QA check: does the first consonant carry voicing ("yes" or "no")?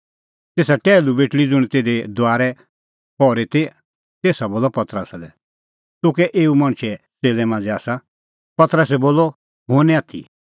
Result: no